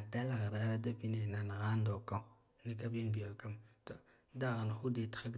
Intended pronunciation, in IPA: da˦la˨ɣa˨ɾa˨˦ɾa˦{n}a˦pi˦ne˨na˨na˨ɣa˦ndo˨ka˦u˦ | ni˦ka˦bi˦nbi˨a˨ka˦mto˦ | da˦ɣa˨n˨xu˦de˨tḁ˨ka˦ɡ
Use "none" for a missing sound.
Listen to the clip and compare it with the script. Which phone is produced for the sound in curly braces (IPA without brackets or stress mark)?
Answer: d